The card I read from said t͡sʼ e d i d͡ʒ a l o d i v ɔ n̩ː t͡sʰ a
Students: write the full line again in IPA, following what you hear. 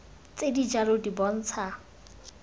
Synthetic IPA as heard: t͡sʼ e d i d͡ʒ a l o d i b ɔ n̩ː t͡sʰ a

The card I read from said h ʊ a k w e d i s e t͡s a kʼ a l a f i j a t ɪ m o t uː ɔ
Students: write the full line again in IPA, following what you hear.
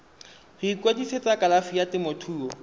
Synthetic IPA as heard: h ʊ i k w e d i s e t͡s a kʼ a l a f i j a t ɪ m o tʰ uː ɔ

